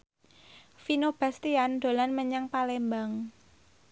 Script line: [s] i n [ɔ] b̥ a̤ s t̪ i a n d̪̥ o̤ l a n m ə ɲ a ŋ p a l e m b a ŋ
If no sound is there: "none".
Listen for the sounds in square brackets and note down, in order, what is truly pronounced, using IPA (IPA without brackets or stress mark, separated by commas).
f, o